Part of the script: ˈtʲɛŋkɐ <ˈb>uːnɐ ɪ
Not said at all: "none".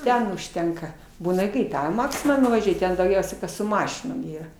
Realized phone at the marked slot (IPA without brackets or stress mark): b